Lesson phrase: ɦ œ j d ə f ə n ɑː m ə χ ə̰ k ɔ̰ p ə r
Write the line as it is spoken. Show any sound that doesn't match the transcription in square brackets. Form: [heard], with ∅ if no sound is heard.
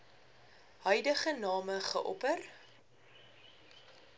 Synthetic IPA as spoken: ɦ œ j d ə [χ] ə n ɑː m ə χ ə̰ [ʔ] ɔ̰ p ə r